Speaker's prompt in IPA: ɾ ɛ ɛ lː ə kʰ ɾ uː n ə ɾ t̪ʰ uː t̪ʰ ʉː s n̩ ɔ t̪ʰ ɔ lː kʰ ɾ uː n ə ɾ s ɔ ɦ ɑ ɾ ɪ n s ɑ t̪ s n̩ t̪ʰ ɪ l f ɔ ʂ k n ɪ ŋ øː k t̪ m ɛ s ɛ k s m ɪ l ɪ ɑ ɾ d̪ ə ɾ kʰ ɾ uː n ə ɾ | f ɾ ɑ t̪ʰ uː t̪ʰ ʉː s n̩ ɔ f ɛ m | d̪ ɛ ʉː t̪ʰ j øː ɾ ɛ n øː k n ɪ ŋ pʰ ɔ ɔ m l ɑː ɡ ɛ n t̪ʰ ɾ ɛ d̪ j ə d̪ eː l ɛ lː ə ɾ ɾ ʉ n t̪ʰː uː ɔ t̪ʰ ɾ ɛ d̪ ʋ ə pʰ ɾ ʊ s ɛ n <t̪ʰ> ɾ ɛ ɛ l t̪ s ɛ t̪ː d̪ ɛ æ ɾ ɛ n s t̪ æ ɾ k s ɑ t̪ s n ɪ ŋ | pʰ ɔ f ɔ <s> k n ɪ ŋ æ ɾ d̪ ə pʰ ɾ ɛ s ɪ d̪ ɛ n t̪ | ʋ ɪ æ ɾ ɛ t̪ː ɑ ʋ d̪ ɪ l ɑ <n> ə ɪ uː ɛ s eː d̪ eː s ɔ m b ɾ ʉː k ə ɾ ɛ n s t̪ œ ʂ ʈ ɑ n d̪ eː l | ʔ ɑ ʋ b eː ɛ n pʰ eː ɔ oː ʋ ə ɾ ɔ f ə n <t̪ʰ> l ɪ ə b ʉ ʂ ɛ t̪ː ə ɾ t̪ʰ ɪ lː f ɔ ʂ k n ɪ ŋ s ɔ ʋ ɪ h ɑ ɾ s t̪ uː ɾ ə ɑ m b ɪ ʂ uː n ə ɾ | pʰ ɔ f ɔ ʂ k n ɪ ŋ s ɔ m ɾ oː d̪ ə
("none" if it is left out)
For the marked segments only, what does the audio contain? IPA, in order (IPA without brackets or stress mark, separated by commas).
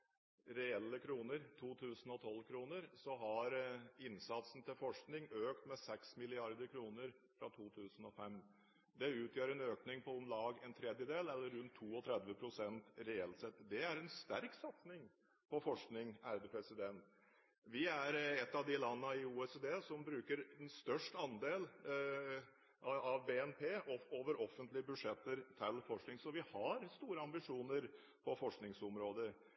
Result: t̪, ʂ, nː, t̪